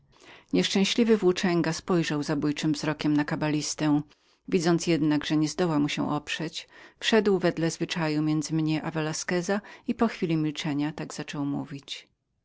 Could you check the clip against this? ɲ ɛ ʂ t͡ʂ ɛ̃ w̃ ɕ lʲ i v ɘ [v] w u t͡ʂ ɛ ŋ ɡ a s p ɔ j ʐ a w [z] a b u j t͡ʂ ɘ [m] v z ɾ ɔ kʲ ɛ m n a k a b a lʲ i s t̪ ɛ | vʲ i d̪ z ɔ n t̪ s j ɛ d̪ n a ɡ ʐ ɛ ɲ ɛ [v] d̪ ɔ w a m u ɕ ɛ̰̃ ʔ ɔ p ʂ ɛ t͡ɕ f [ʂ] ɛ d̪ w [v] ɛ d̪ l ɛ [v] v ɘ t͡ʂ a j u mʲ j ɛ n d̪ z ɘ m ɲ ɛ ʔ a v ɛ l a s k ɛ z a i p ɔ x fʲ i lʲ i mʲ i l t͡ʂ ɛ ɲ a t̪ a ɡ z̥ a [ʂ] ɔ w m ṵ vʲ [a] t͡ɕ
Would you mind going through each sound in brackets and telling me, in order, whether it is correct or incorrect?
correct, correct, correct, incorrect: z, correct, correct, incorrect: z, incorrect: t͡ʂ, incorrect: i

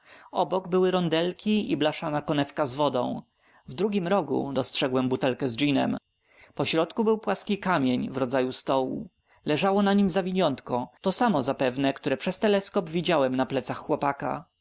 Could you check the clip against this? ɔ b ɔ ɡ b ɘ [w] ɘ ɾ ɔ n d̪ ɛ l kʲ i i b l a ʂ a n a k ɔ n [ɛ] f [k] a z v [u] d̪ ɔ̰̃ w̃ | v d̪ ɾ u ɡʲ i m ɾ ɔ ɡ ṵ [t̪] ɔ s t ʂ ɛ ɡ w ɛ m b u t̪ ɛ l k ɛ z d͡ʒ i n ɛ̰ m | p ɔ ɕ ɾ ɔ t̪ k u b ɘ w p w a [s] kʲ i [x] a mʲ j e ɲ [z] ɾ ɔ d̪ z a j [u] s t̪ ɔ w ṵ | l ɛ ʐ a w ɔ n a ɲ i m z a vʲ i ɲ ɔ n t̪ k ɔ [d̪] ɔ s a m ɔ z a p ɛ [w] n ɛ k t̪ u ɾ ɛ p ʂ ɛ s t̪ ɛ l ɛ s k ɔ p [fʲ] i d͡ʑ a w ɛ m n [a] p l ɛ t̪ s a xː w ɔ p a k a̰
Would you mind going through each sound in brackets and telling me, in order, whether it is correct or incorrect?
correct, correct, correct, incorrect: ɔ, incorrect: d̪, correct, incorrect: k, incorrect: v, correct, incorrect: t̪, incorrect: v, incorrect: vʲ, correct

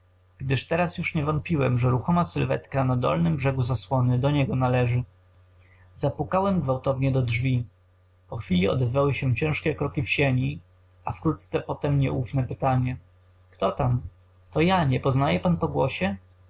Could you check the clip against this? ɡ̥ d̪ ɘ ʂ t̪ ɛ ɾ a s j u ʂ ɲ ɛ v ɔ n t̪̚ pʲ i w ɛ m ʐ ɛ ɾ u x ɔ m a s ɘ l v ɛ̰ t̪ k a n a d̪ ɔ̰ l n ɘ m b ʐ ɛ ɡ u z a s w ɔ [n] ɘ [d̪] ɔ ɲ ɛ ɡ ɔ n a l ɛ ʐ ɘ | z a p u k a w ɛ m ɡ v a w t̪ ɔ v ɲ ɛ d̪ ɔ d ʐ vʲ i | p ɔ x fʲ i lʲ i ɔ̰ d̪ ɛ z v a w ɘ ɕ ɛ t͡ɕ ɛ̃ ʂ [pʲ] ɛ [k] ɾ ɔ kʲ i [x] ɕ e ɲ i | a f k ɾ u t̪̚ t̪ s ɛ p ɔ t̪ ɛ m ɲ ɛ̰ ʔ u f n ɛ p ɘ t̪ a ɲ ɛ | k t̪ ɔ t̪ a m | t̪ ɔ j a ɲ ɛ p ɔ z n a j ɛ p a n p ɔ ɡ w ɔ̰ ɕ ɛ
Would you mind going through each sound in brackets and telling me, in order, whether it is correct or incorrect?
correct, correct, incorrect: kʲ, correct, incorrect: f

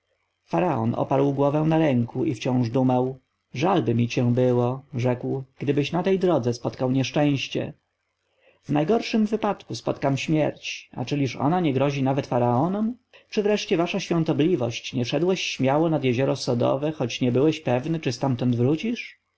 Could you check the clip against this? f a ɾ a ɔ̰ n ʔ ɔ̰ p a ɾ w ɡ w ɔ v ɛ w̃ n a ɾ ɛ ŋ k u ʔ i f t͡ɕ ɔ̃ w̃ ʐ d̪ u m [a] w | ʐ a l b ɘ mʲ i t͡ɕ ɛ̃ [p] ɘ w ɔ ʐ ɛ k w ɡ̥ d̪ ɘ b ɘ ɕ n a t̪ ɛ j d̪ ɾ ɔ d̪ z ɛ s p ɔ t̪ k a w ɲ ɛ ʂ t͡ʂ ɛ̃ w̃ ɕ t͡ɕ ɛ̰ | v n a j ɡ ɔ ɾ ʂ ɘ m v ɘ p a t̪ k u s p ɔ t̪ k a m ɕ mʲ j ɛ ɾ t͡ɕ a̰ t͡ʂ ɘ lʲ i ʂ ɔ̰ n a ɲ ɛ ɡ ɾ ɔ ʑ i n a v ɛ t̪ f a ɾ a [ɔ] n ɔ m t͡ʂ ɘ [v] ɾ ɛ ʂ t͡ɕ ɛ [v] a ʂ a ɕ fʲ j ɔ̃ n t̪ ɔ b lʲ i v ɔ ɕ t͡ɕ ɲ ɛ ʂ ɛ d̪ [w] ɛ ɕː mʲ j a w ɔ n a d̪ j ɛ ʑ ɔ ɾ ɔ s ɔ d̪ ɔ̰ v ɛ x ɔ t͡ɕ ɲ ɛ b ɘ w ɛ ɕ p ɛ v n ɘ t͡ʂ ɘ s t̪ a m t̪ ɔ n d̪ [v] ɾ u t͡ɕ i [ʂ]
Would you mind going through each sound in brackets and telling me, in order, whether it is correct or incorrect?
correct, incorrect: b, correct, correct, correct, correct, correct, correct

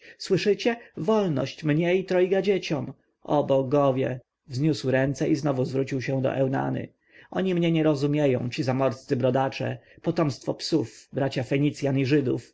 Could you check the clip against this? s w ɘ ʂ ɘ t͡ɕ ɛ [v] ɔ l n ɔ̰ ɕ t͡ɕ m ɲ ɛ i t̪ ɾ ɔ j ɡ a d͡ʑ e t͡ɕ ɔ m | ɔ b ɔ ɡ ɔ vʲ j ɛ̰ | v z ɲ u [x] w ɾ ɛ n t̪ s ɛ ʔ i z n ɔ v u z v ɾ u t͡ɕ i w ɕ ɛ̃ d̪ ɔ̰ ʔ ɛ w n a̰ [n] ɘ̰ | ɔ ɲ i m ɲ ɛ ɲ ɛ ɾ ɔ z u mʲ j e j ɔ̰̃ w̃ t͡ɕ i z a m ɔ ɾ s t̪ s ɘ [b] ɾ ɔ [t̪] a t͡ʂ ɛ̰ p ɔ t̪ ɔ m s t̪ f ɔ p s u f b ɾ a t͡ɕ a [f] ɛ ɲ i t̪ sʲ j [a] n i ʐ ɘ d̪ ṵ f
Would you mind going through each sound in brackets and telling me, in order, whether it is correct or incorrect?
correct, incorrect: s, correct, correct, incorrect: d̪, correct, correct

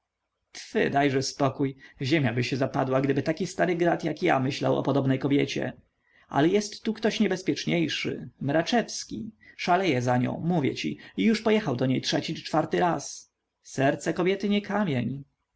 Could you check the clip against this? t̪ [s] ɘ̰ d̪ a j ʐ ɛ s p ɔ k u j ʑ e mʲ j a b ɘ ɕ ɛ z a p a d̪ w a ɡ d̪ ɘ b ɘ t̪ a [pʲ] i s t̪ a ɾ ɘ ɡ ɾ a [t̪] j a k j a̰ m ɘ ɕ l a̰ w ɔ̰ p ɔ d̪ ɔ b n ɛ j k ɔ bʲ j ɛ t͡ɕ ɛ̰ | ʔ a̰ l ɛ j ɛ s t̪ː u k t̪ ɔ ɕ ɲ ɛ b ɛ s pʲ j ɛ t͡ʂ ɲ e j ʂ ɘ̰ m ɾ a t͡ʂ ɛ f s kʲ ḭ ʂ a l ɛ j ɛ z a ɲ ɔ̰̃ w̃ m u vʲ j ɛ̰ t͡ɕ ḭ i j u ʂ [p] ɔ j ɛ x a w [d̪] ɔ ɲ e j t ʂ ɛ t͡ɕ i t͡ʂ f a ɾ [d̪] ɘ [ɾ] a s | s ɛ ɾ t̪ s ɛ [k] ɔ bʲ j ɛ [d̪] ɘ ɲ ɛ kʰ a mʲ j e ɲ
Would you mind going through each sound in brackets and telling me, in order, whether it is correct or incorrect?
incorrect: f, incorrect: kʲ, correct, correct, correct, incorrect: t̪, correct, correct, incorrect: t̪

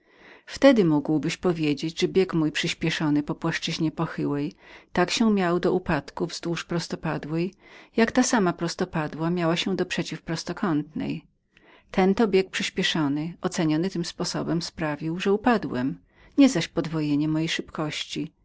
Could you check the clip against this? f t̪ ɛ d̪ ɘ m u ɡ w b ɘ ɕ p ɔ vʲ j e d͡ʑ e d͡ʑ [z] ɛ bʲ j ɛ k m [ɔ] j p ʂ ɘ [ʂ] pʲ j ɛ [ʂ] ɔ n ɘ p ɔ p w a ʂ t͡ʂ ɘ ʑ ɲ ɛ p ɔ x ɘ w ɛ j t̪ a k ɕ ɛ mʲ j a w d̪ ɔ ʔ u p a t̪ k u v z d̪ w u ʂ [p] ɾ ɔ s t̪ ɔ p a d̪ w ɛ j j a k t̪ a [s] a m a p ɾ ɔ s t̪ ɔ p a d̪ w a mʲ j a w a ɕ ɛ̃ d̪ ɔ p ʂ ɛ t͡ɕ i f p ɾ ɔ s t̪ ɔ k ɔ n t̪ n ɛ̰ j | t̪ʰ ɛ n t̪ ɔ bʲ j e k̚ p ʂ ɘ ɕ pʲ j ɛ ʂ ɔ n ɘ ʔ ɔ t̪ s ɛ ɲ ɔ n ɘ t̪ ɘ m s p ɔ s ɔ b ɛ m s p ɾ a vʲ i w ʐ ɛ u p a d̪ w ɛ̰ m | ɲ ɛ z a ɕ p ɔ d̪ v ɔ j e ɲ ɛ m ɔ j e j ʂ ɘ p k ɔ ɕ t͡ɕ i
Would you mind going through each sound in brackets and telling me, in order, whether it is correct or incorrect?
incorrect: ʐ, incorrect: u, incorrect: ɕ, correct, correct, correct

